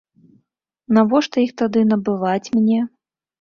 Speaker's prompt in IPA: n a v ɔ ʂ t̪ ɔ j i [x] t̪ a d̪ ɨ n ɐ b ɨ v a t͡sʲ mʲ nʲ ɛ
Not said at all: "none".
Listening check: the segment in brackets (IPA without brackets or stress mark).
x